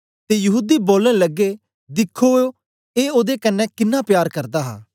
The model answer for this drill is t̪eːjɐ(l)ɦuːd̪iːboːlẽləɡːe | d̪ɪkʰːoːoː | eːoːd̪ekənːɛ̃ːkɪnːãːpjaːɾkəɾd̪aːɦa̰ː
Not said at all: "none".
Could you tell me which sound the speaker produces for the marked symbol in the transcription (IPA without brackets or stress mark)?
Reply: none